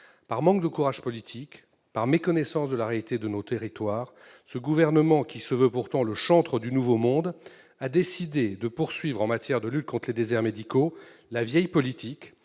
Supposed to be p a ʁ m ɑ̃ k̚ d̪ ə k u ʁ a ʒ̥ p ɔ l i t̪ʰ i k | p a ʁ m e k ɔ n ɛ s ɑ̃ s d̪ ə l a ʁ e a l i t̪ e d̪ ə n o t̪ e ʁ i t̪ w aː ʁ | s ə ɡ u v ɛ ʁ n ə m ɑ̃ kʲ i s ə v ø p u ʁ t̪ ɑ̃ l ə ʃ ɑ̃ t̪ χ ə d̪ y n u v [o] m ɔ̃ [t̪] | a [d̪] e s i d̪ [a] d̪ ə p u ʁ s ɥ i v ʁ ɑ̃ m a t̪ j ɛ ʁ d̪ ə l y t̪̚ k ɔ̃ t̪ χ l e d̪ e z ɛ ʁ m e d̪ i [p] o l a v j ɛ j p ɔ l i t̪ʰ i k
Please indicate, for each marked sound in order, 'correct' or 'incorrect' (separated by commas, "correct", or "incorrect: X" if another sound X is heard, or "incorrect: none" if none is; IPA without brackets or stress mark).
correct, incorrect: d̪, correct, incorrect: e, incorrect: k